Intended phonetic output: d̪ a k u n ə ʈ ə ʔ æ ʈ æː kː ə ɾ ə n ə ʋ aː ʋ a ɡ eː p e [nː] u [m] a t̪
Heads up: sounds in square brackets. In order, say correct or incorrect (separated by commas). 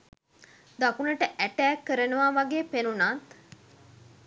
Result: incorrect, incorrect